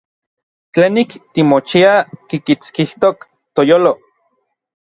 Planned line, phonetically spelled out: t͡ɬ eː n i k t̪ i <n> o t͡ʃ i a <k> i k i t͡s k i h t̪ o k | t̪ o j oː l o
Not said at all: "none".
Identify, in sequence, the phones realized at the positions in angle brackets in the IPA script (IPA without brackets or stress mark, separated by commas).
m, k